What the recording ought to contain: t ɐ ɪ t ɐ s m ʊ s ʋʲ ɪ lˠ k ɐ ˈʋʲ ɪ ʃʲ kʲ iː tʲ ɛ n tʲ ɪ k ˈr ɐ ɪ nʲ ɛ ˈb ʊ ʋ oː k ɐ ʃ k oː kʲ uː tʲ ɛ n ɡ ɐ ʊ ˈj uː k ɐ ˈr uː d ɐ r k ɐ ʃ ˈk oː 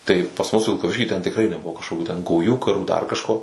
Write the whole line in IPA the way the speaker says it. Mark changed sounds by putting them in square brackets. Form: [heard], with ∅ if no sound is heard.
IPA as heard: t ɐ ɪ [p] ɐ s m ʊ s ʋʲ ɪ lˠ k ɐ ˈʋʲ ɪ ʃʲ kʲ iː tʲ ɛ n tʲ ɪ k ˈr ɐ ɪ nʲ ɛ ˈb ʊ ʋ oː k ɐ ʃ k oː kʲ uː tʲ ɛ n ɡ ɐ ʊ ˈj uː k ɐ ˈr uː d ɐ r k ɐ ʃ ˈk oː